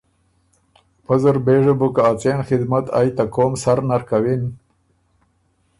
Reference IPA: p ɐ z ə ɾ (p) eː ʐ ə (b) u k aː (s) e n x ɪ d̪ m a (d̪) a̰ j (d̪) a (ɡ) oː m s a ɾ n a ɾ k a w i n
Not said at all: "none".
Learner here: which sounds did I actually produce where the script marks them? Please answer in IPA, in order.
b, b, t͡s, t̪, t̪, k

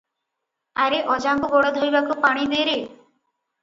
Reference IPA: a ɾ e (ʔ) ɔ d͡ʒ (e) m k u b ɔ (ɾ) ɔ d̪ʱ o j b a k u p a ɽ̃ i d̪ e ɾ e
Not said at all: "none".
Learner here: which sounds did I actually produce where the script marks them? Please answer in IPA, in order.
ʔ, a, ɽ

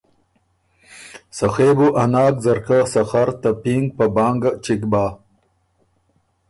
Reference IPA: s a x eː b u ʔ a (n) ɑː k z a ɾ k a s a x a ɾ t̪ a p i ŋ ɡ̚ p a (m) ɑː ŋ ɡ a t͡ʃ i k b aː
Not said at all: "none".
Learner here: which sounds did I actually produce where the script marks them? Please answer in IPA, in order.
n, b

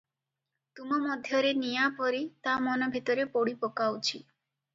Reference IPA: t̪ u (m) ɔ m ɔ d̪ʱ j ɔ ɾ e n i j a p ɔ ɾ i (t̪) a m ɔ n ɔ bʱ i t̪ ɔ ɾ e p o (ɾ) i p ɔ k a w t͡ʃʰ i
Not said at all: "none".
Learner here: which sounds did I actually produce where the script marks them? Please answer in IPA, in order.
m, t̪, ɽ

